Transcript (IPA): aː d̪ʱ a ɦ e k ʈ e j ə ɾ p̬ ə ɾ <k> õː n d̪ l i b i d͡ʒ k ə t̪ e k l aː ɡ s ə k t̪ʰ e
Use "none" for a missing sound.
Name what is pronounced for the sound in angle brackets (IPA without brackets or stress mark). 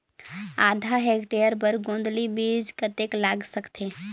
ɡ